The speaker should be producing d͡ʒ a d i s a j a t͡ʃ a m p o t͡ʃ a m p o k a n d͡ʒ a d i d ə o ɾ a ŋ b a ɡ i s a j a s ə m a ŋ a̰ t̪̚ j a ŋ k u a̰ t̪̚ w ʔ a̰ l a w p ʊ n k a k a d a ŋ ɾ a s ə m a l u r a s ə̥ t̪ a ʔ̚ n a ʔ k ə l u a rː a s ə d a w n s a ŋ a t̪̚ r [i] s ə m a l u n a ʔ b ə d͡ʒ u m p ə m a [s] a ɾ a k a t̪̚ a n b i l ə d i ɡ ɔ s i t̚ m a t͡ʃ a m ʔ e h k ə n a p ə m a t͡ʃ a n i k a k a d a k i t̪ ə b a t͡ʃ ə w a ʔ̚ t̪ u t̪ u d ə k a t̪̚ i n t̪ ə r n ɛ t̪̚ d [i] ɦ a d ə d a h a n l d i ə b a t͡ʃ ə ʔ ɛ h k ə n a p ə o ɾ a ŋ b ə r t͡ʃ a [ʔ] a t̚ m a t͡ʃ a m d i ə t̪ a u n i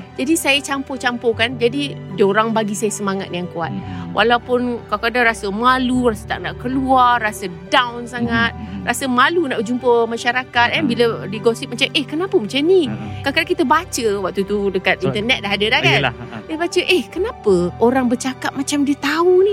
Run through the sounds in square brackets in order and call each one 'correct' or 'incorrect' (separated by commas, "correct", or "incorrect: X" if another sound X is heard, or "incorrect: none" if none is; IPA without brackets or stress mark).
incorrect: a, incorrect: ʃ, incorrect: a, incorrect: k